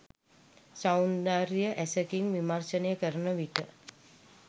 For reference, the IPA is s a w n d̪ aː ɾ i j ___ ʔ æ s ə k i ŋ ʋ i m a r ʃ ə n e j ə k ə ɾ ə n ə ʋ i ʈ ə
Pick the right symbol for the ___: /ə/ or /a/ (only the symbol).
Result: ə